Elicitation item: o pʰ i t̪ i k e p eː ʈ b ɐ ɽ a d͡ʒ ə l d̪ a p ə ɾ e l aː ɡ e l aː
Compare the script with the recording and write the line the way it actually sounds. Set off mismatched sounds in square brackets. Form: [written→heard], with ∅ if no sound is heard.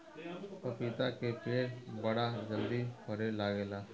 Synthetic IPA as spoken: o [pʰ→p] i t̪ [i→a] k e p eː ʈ b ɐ ɽ a d͡ʒ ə l d̪ [a→i] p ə ɾ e l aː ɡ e l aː